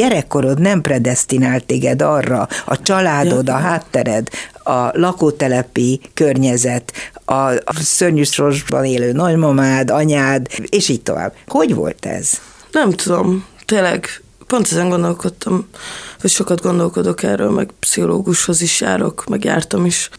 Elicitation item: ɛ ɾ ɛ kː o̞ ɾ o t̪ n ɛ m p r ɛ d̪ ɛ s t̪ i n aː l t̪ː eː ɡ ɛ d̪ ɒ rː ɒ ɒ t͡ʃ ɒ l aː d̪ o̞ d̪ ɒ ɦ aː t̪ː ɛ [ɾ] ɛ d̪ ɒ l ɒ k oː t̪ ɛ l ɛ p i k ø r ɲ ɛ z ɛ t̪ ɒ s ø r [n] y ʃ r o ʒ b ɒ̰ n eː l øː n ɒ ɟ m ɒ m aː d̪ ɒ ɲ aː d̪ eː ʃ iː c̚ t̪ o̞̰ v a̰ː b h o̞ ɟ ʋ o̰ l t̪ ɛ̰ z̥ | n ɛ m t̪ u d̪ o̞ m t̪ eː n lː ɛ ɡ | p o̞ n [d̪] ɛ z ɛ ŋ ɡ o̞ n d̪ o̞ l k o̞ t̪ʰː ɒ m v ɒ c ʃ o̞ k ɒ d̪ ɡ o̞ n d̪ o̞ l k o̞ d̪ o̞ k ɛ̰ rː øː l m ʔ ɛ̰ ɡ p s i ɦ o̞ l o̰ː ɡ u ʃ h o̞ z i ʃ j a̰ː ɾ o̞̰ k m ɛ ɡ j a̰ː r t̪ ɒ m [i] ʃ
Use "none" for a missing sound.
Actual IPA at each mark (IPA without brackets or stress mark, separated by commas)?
ɾ, ɲ, t̪, i